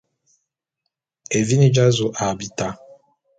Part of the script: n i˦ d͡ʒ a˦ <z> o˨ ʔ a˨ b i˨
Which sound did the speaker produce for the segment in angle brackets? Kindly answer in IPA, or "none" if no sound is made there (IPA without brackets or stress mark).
z